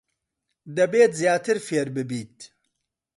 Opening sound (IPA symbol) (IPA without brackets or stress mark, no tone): d̪